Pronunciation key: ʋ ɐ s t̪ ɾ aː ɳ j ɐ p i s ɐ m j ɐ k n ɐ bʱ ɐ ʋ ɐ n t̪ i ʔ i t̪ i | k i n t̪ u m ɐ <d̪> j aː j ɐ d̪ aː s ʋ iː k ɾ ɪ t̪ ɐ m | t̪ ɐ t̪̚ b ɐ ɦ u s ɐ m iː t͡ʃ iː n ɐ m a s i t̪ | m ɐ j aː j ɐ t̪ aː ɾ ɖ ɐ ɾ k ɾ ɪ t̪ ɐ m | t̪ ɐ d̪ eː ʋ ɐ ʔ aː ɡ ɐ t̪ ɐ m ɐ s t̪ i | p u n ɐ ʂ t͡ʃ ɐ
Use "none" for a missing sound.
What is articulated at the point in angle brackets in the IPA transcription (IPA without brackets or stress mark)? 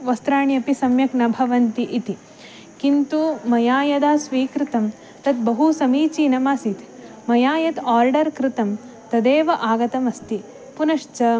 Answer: none